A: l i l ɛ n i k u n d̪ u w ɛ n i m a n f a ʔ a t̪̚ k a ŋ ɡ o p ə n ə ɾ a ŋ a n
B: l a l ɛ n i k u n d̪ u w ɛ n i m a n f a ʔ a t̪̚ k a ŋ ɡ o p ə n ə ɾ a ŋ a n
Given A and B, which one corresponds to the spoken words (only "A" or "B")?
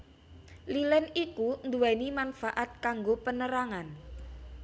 A